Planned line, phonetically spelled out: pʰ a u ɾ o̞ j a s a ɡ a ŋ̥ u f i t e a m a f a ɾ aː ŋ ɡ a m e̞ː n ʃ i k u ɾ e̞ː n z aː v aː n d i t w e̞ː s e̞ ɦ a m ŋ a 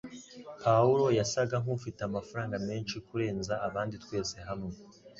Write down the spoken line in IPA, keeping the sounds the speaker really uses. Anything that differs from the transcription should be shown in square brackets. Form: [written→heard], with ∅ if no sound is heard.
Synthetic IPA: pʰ a u ɾ o̞ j a s a ɡ a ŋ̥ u f i t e a m a f a ɾ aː ŋ ɡ a m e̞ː n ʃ i k u ɾ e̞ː n z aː [v→β] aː n d i t w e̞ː s e̞ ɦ a m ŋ [a→e]